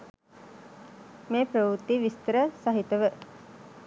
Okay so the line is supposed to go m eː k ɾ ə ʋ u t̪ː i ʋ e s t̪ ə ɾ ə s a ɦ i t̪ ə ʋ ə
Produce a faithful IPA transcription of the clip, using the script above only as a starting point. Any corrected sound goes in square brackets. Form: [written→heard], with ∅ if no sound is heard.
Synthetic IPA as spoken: m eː [k→p] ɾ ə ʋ u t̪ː i ʋ [e→i] s t̪ ə ɾ ə s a ɦ i t̪ ə ʋ ə